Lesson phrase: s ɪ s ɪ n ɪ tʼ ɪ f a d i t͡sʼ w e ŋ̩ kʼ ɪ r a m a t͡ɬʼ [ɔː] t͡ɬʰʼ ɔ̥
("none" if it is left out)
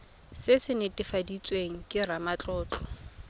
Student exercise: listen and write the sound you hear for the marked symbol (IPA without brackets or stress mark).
ɔː